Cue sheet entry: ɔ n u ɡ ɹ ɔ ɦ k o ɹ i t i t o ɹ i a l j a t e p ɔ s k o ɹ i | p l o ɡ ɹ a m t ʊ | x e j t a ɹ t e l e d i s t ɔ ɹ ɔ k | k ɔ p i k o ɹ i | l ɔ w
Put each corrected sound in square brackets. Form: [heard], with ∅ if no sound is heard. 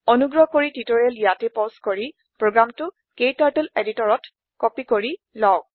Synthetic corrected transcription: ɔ n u ɡ ɹ ɔ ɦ k o ɹ i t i t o ɹ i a l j a t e p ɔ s k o ɹ i | p [ɹ] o ɡ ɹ a m t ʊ | [k] e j t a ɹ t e l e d i [∅] t ɔ ɹ ɔ [t] | k ɔ p i k o ɹ i | l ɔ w